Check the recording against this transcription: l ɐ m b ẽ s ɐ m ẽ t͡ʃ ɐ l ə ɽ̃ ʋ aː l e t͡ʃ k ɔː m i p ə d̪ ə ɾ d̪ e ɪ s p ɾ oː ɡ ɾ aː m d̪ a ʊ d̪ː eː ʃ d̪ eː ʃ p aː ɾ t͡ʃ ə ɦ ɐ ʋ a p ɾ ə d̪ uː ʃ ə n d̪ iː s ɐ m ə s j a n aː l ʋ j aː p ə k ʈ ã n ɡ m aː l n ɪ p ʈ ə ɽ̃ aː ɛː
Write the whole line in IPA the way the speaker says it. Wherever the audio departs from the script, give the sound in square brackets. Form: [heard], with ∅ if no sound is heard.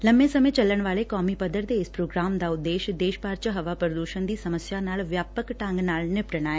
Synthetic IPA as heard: l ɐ m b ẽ s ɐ m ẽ t͡ʃ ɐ l ə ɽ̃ ʋ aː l e [∅] k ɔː m i p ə d̪ ə ɾ d̪ e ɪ s p ɾ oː ɡ ɾ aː m d̪ a ʊ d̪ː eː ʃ d̪ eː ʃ p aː ɾ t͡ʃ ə ɦ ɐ ʋ a p ɾ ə d̪ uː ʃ ə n d̪ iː s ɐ m ə s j a n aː l ʋ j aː p ə k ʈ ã [ŋ] ɡ [n] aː l n ɪ p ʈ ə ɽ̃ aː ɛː

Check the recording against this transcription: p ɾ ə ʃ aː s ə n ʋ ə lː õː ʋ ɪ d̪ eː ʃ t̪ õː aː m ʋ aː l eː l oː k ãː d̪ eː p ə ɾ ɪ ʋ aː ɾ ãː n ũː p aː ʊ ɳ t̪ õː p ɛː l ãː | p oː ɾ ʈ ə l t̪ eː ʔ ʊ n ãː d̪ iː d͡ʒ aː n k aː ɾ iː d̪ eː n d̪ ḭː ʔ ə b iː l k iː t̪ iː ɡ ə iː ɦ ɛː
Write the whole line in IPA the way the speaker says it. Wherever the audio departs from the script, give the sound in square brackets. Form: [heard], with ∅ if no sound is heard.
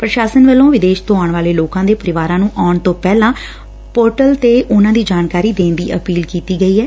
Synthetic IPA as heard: p ɾ ə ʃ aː s ə n ʋ ə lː õː ʋ ɪ d̪ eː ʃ t̪ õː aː [ɳ] ʋ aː l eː l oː k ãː d̪ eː p ə ɾ ɪ ʋ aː ɾ ãː n ũː [ʔ] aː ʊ ɳ t̪ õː p ɛː l ãː | p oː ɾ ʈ ə l t̪ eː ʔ ʊ n ãː d̪ iː d͡ʒ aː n k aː ɾ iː d̪ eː n d̪ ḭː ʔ ə [p] iː l k iː t̪ iː ɡ ə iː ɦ ɛː

